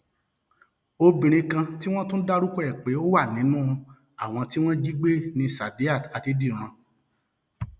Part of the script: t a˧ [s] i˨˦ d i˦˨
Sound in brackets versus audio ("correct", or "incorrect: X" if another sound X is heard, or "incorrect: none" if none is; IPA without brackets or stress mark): incorrect: t